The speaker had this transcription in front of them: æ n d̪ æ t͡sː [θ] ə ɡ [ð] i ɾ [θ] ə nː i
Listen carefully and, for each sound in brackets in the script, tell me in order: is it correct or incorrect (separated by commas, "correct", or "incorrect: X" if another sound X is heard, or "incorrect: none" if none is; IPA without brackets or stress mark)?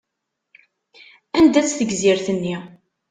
correct, incorrect: z, correct